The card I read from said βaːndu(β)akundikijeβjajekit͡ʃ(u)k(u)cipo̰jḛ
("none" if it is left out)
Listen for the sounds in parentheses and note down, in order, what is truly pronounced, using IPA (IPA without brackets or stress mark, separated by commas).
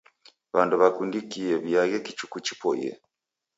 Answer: β, u, u